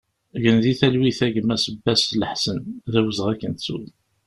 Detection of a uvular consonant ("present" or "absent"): present